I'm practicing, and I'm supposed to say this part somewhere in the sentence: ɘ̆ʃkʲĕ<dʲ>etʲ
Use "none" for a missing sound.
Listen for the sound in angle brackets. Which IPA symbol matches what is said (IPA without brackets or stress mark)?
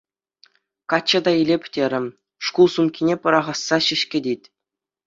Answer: dʲ